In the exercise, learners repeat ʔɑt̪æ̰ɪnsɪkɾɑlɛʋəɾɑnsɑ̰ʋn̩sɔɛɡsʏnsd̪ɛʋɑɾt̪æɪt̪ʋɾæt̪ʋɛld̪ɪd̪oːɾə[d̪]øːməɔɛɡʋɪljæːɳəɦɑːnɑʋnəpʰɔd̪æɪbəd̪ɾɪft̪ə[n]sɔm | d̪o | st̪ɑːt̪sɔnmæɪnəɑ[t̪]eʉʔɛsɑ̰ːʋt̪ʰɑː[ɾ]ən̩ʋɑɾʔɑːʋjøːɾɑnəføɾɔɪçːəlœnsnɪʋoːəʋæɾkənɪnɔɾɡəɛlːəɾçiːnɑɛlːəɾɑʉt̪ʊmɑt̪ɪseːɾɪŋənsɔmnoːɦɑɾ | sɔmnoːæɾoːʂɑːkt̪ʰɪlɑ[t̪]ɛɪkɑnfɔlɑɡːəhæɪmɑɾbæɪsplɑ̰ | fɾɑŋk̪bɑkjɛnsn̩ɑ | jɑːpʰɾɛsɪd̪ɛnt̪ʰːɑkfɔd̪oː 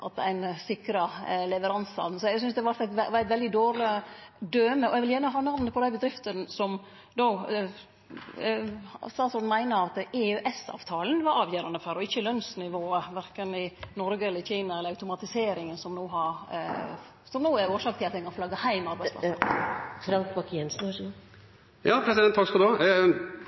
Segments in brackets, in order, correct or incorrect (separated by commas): correct, correct, correct, incorrect, correct